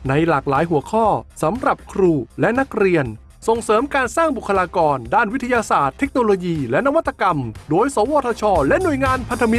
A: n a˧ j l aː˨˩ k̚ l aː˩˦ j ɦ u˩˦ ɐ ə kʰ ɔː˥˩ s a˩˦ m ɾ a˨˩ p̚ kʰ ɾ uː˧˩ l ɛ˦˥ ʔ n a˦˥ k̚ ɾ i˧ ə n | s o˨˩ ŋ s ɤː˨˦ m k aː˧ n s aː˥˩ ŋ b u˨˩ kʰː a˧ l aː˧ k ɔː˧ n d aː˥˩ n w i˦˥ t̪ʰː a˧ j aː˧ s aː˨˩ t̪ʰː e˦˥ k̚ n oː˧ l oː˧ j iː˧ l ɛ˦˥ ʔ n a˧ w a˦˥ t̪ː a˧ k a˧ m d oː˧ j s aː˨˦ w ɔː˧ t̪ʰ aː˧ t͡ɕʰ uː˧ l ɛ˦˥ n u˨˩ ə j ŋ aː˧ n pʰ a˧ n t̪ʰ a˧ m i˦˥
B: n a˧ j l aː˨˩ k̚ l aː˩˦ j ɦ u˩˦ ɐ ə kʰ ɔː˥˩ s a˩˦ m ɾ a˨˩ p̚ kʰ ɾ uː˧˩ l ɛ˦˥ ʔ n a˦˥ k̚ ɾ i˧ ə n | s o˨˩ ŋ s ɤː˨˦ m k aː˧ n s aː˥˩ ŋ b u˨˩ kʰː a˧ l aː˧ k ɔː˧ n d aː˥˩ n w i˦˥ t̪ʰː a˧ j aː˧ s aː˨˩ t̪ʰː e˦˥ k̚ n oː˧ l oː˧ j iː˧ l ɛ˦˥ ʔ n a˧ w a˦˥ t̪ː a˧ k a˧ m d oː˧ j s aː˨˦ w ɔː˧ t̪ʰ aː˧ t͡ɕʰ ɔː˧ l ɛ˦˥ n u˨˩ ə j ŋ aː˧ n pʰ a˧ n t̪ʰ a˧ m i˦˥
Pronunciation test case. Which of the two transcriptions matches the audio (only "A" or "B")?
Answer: B